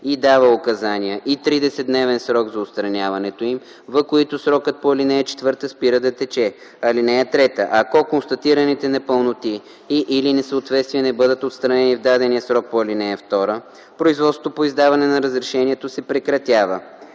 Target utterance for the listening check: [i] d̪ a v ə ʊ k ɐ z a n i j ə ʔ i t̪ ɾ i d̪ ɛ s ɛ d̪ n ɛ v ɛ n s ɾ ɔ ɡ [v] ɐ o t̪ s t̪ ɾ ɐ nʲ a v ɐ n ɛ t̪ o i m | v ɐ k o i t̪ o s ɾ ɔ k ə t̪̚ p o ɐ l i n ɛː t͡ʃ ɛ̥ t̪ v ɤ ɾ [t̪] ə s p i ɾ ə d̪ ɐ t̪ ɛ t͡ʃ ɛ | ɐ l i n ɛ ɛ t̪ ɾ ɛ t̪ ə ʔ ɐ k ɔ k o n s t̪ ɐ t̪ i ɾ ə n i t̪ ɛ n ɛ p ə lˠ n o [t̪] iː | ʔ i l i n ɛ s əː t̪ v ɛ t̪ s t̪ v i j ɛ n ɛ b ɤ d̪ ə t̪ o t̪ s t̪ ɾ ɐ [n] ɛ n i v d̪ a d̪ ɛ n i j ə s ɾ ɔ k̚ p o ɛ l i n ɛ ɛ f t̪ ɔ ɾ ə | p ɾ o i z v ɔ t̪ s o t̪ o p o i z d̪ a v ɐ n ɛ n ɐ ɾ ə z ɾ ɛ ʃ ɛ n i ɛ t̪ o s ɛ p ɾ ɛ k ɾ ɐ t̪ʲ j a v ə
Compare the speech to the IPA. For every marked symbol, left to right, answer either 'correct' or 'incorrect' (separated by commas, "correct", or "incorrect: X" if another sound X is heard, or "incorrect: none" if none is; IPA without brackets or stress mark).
correct, incorrect: z, correct, correct, correct